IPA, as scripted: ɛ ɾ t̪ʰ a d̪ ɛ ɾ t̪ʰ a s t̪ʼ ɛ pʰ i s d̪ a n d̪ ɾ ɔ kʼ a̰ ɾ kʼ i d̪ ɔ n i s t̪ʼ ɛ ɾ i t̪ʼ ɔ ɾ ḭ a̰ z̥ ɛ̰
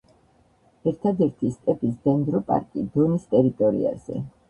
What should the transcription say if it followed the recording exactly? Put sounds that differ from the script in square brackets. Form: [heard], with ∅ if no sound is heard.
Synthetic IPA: ɛ ɾ t̪ʰ a d̪ ɛ ɾ t̪ʰ [i] s t̪ʼ ɛ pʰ i s d̪ [ɛ] n d̪ ɾ ɔ [pʼ] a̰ ɾ kʼ i d̪ ɔ n i s t̪ʼ ɛ ɾ i t̪ʼ ɔ ɾ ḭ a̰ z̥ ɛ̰